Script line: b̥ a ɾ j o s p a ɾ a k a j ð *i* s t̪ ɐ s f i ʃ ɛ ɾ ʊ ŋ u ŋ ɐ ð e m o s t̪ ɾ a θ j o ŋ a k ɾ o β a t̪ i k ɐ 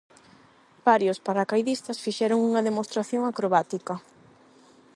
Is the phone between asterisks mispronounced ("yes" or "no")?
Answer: no